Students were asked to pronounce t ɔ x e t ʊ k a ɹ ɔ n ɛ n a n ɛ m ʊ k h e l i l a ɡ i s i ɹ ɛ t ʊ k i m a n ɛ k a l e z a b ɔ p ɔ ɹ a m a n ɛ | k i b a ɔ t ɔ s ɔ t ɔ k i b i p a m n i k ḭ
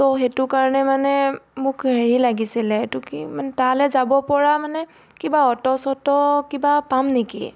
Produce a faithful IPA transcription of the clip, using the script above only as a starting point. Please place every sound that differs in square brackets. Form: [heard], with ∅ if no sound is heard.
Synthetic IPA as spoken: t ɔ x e t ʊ k a ɹ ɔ n ɛ [m] a n ɛ m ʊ k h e [ɹ] i l a ɡ i s i [l] ɛ t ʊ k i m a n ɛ [t] a l [ɛ] z a b ɔ p ɔ ɹ a m a n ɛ | k i b a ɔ t ɔ s ɔ t ɔ k i b [a] p a m n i k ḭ